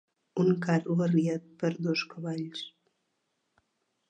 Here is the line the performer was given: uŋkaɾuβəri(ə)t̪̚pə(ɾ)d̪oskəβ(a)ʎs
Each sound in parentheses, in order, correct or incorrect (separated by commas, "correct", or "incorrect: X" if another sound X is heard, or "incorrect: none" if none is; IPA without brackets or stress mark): incorrect: a, correct, correct